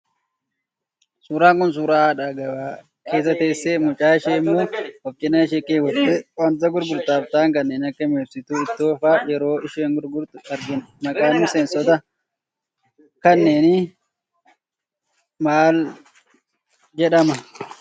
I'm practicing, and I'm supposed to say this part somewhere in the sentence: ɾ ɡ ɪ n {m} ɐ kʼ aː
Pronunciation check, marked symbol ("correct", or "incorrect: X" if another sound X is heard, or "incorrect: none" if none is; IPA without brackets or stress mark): correct